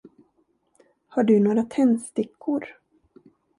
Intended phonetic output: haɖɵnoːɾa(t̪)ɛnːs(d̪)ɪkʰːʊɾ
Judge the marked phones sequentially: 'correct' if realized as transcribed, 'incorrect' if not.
incorrect: t̪ʰ, incorrect: t̪

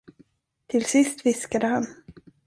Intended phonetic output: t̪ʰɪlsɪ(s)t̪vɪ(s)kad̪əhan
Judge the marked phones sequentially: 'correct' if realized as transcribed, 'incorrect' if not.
correct, correct

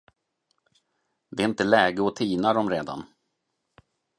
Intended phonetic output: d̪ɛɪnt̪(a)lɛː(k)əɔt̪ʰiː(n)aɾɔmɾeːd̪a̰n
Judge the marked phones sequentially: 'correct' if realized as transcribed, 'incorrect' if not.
incorrect: ə, incorrect: ɡ, correct

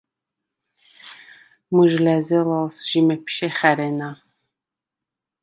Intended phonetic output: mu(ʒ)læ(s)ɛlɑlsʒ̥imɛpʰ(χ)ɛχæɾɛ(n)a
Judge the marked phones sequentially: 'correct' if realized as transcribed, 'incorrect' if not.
correct, incorrect: z, incorrect: ʃ, correct

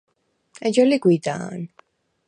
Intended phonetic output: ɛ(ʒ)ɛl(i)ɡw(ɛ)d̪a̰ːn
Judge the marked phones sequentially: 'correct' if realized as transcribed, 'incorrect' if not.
incorrect: d͡ʒ, correct, incorrect: i

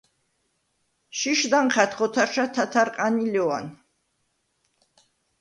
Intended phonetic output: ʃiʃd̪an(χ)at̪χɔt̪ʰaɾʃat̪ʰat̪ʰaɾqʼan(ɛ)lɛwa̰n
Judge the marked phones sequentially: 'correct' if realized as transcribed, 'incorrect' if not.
correct, incorrect: i

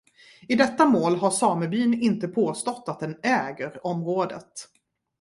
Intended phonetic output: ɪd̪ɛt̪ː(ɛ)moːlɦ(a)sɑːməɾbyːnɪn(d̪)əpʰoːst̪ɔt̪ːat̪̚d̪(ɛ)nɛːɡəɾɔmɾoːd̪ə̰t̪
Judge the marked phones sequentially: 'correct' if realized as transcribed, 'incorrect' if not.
incorrect: a, correct, incorrect: t̪, correct

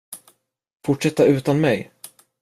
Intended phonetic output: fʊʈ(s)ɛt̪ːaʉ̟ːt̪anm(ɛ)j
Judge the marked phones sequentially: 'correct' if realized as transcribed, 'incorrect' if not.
incorrect: ʂ, correct

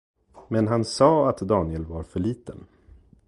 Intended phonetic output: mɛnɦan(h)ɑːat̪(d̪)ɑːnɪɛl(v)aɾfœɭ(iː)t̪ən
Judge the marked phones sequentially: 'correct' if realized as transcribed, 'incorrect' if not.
incorrect: s, correct, correct, correct

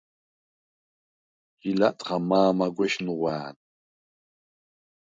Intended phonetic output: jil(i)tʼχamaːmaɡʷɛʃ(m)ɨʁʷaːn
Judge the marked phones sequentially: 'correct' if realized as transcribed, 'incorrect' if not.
incorrect: a, incorrect: n

